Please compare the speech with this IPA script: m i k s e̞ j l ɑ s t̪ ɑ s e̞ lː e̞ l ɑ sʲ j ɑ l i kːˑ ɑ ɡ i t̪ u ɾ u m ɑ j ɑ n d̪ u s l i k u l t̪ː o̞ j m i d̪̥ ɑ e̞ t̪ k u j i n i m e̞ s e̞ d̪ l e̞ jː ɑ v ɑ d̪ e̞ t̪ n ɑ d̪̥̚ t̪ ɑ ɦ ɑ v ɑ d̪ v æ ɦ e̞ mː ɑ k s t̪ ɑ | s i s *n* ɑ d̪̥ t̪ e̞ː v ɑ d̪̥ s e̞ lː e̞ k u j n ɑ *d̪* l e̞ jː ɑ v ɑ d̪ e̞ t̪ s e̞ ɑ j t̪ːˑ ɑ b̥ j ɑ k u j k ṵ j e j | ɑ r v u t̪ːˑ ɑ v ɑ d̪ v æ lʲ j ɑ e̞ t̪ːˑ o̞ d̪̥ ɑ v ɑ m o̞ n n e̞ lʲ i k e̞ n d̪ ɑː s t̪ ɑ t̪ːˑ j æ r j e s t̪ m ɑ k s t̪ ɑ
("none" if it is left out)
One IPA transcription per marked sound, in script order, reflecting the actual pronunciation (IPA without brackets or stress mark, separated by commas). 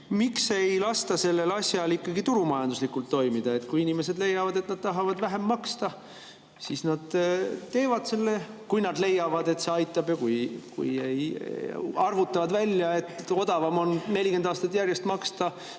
n, d̪